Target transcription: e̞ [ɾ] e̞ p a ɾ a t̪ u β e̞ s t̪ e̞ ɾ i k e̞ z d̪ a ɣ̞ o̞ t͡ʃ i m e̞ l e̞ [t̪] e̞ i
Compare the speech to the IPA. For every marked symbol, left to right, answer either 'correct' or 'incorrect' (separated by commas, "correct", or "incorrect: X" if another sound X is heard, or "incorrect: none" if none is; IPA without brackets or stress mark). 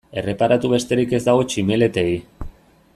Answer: incorrect: r, correct